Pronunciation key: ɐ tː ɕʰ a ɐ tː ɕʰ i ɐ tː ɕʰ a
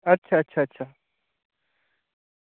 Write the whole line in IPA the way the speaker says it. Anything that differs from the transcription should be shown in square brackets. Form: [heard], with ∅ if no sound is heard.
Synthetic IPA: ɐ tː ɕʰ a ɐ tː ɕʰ [a] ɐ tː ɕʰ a